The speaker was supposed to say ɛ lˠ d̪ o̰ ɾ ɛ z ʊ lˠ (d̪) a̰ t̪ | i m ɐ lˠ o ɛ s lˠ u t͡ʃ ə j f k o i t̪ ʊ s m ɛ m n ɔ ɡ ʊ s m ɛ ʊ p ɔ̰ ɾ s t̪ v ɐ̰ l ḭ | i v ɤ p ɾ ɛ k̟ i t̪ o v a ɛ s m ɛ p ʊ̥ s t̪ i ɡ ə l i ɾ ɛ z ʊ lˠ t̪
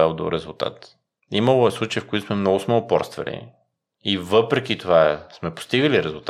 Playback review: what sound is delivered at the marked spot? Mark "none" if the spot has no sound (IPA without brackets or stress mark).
t̪